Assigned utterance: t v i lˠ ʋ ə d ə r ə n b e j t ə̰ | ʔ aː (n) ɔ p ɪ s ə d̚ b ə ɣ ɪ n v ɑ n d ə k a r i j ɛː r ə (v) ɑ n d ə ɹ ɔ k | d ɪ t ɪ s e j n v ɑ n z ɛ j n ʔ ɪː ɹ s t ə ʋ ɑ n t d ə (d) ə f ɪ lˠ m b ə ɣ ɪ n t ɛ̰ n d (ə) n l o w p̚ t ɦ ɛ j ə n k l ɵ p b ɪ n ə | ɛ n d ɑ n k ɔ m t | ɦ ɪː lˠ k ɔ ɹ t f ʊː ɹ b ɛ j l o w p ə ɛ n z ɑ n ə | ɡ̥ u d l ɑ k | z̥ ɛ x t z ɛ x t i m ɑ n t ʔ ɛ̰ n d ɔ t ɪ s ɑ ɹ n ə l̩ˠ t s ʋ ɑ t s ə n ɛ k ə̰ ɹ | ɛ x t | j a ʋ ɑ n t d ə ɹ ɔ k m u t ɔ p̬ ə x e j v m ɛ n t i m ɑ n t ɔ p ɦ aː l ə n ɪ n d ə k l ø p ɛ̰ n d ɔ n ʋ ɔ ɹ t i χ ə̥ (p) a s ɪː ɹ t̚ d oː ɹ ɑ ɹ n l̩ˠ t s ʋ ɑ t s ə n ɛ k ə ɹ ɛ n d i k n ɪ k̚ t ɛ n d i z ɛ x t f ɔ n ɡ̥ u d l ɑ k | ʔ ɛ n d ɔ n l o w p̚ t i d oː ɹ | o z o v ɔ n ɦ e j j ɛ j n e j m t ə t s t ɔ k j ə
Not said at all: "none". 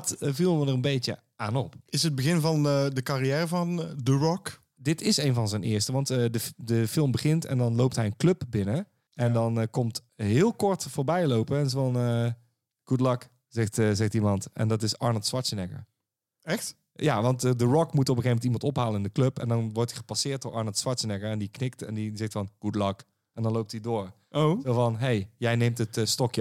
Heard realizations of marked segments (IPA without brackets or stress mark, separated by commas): n, v, d, ɑ, p